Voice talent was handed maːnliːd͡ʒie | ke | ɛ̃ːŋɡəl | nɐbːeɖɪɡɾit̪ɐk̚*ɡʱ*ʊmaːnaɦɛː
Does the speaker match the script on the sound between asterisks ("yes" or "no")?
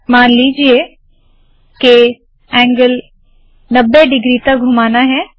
yes